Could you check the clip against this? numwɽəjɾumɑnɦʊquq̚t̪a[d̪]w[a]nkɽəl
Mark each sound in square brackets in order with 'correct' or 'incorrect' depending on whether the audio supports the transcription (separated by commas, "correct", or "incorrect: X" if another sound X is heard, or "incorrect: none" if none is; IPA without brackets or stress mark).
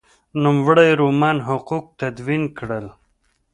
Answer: correct, incorrect: i